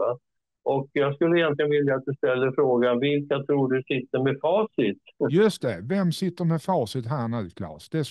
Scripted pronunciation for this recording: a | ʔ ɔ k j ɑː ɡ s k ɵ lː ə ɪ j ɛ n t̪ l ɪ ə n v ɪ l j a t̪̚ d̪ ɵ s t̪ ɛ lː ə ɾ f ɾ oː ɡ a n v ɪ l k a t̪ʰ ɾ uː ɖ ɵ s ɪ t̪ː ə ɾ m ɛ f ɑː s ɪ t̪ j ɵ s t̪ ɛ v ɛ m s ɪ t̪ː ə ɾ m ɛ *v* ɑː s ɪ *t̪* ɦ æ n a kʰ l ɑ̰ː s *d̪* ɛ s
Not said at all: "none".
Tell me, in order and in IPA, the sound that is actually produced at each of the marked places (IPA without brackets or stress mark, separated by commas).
f, t̪, d̪